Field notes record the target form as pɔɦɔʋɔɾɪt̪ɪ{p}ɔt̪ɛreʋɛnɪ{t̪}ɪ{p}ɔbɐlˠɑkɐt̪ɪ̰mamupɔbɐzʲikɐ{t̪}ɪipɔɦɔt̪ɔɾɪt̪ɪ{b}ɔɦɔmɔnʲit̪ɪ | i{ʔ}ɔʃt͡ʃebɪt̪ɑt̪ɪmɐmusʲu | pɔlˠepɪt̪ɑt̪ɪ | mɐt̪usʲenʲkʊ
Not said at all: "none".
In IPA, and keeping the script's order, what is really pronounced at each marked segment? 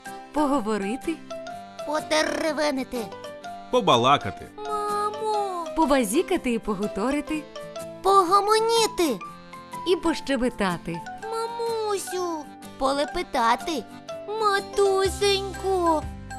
p, t̪, p, t̪, p, p

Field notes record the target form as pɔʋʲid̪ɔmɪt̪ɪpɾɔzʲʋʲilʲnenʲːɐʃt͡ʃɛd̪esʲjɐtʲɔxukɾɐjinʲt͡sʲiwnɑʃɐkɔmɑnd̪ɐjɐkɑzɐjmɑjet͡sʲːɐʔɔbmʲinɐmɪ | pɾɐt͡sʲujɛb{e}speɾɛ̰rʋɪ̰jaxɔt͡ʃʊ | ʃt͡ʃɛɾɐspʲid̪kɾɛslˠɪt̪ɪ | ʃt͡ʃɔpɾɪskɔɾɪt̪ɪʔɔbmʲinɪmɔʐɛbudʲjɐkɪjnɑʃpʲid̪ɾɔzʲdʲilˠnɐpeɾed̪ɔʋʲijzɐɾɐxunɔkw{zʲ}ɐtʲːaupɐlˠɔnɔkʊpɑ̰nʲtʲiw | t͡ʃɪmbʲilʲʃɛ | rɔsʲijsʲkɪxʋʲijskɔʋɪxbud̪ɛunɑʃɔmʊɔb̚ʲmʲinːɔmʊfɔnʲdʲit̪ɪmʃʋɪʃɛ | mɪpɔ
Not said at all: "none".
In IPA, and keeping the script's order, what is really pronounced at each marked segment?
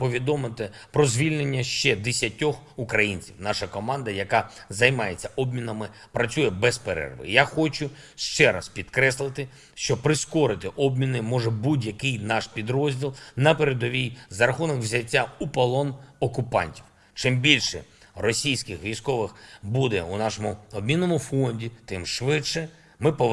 ɛ, zʲ

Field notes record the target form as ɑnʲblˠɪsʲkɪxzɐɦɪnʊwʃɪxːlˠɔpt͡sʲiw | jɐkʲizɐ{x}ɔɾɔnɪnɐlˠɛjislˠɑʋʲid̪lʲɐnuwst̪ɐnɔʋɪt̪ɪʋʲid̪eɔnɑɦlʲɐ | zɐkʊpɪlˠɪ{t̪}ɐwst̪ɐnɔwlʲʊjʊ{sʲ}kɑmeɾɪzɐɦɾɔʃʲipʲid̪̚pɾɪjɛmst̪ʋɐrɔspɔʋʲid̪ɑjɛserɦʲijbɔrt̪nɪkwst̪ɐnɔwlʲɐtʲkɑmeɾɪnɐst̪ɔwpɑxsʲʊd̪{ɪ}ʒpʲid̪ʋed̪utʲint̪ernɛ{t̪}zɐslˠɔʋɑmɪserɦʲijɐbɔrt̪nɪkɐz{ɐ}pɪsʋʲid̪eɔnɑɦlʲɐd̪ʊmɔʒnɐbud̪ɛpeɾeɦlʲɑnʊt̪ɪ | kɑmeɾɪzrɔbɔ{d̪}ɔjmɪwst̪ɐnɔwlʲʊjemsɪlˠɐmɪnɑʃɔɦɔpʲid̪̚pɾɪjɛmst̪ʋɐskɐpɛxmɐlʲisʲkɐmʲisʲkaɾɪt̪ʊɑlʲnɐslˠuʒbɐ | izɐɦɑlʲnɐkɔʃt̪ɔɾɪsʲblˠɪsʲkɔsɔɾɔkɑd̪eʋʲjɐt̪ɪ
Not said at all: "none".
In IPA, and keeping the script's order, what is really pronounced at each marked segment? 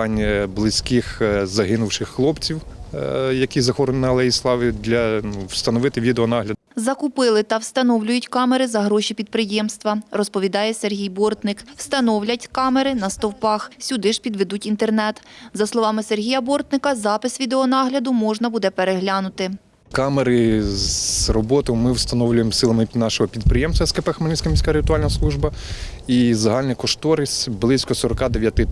x, t̪, tʲ, ɪ, t̪, ɑ, t̪

